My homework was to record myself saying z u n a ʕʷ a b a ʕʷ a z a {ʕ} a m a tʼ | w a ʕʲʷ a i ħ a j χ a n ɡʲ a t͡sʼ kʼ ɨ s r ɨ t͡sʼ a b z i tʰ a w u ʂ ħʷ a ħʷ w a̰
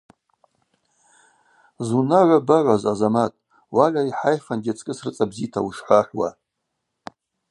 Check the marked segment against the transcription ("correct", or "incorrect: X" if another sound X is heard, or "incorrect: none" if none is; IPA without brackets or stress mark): incorrect: z